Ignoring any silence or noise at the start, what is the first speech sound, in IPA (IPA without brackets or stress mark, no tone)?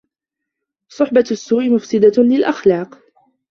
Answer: sˤ